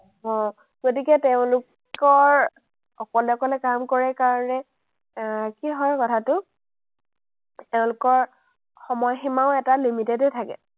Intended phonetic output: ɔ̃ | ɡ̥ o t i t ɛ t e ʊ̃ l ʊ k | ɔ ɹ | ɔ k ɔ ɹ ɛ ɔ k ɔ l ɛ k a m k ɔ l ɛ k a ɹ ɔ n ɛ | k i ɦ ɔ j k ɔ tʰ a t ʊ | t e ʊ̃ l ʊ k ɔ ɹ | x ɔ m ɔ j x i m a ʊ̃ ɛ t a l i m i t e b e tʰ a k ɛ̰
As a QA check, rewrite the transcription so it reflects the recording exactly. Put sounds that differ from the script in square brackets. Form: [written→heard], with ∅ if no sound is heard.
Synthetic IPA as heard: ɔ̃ | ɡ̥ o t i [t→k] ɛ t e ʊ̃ l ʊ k | ɔ ɹ | ɔ k ɔ [ɹ→l] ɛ ɔ k ɔ l ɛ k a m k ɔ [l→ɹ] ɛ k a ɹ ɔ n ɛ | k i ɦ ɔ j k ɔ tʰ a t ʊ | t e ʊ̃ l ʊ k ɔ ɹ | x ɔ m ɔ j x i m a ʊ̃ ɛ t a l i m i t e [b→d] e tʰ a k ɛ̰

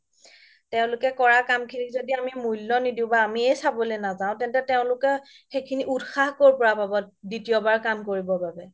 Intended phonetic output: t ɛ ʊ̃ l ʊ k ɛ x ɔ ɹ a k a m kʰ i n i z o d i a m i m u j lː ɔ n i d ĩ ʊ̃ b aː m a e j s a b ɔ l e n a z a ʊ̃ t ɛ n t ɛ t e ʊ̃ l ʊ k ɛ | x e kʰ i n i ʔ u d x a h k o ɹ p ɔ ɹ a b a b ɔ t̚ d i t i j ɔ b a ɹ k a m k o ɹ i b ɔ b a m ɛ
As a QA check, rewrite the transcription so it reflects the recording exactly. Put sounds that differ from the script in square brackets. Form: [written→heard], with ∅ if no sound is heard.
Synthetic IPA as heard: t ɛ ʊ̃ l ʊ k ɛ [x→k] ɔ ɹ a k a m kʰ i n i z o d i a m i m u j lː ɔ n i d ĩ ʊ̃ b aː m [a→i] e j s a b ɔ l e n a z a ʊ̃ t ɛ n t ɛ t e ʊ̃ l ʊ k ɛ | x e kʰ i n i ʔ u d x a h k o ɹ p ɔ ɹ a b a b ɔ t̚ d i t i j ɔ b a ɹ k a m k o ɹ i b ɔ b a [m→b] ɛ

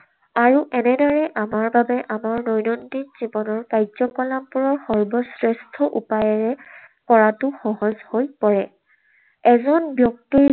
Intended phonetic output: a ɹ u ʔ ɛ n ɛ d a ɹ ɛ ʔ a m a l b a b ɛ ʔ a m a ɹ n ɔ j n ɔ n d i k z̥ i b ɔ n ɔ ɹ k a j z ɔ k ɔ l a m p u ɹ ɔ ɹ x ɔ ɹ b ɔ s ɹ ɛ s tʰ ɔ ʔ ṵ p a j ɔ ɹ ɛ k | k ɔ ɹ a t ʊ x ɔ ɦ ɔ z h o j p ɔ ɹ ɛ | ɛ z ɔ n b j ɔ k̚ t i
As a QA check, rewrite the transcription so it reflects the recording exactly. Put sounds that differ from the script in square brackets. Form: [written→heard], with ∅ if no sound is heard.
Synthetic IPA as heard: a ɹ u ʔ ɛ n ɛ d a ɹ ɛ ʔ a m a [l→ɹ] b a b ɛ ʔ a m a ɹ n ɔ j n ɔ n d i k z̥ i b ɔ n ɔ ɹ k a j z ɔ k ɔ l a m p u ɹ ɔ ɹ x ɔ ɹ b ɔ s ɹ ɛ s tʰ ɔ ʔ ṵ p a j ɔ ɹ ɛ [k→∅] | k ɔ ɹ a t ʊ x ɔ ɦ ɔ z h o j p ɔ ɹ ɛ | ɛ z ɔ n b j ɔ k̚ t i

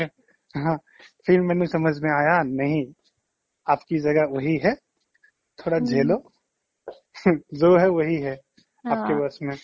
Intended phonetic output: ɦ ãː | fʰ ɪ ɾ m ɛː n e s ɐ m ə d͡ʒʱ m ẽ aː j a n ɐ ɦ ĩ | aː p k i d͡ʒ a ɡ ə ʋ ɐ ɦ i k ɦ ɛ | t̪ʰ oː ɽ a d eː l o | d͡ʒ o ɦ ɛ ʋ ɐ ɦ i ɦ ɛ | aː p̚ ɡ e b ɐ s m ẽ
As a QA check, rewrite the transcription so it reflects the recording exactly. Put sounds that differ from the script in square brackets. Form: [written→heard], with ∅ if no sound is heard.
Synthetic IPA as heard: ɦ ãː | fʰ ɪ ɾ m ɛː n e s ɐ m ə d͡ʒʱ m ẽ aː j a n ɐ ɦ ĩ | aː p k i d͡ʒ [a→ɐ] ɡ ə ʋ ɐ ɦ i [k→∅] ɦ ɛ | t̪ʰ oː ɽ a [d→d͡ʒʱ] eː l o | d͡ʒ o ɦ ɛ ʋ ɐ ɦ i ɦ ɛ | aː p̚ [ɡ→k] e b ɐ s m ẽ

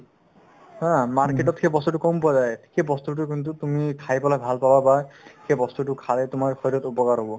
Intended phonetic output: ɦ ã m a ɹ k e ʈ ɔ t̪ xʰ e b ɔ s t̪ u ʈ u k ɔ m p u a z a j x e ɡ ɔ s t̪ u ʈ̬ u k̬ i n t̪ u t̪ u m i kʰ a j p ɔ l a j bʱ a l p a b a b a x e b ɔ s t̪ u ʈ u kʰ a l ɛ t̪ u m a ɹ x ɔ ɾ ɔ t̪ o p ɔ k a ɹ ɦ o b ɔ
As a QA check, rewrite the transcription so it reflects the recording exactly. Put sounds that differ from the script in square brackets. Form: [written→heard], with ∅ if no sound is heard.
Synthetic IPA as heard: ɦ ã m a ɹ k e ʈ ɔ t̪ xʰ e b ɔ s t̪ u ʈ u k ɔ m p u a z a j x e [ɡ→b] ɔ s t̪ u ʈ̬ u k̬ i n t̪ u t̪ u m i kʰ a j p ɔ l a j bʱ a l p a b a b a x e b ɔ s t̪ u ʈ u kʰ a l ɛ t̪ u m a ɹ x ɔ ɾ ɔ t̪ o p ɔ k a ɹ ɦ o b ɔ

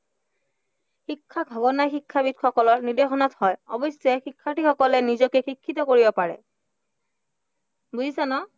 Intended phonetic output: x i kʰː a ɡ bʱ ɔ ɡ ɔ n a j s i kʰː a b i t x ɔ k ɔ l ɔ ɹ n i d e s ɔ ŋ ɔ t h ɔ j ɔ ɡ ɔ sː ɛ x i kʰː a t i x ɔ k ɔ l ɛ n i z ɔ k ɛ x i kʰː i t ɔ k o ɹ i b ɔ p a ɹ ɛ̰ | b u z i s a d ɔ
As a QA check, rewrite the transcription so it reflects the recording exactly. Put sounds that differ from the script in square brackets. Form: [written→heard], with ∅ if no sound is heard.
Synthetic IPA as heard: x i kʰː a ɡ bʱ ɔ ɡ ɔ n a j [s→x] i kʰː a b i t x ɔ k ɔ l ɔ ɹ n i d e [s→x] ɔ [ŋ→n] ɔ t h ɔ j ɔ [ɡ→b] ɔ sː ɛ x i kʰː a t i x ɔ k ɔ l ɛ n i z ɔ k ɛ x i kʰː i t ɔ k o ɹ i b ɔ p a ɹ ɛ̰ | b u z i s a [d→n] ɔ

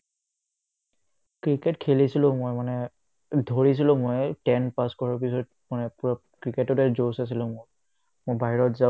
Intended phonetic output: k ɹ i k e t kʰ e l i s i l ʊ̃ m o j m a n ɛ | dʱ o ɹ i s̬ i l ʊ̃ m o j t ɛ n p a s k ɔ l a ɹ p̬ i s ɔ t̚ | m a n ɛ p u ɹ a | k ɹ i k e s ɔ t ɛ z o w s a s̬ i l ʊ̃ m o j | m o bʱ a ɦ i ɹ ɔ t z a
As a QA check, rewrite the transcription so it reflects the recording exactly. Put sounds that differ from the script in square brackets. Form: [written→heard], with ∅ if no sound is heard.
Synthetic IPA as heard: k ɹ i k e t kʰ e l i s i l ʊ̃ m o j m a n ɛ | dʱ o ɹ i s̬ i l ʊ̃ m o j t ɛ n p a s k ɔ [l→ɹ] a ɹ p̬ i s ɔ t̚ | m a n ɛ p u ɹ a | k ɹ i k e [s→t] ɔ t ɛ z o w s a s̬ i l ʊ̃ m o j | m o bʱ a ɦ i ɹ ɔ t z a

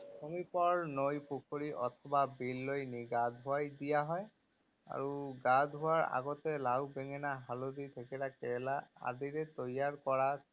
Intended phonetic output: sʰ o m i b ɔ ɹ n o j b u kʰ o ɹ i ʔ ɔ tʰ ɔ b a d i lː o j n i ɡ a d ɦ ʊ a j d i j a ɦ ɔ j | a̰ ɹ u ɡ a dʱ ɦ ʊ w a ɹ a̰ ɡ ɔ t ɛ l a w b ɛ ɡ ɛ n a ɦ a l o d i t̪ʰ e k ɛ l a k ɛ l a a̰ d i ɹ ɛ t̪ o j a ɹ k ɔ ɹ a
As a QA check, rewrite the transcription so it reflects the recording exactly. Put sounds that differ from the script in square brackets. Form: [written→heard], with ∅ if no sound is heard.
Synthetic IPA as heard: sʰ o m i [b→p] ɔ ɹ n o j [b→p] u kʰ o ɹ i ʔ ɔ tʰ ɔ b a [d→b] i lː o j n i ɡ a d ɦ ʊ a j d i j a ɦ ɔ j | a̰ ɹ u ɡ a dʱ ɦ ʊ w a ɹ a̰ ɡ ɔ t ɛ l a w b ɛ [ɡ→ŋ] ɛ n a ɦ a l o d i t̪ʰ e k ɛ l a k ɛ l a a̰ d i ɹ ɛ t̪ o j a ɹ k ɔ ɹ a

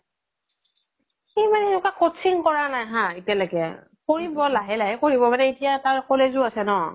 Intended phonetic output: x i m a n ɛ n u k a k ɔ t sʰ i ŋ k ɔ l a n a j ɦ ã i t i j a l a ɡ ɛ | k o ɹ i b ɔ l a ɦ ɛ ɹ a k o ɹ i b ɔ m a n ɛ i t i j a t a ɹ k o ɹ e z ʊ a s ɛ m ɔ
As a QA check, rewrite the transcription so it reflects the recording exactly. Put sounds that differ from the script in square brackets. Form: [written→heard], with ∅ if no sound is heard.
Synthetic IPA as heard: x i m a n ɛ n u k a k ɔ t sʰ i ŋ k ɔ [l→ɹ] a n a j ɦ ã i t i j a l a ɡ ɛ | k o ɹ i b ɔ l a ɦ ɛ [ɹ→l] a k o ɹ i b ɔ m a n ɛ i t i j a t a ɹ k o [ɹ→l] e z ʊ a s ɛ [m→n] ɔ

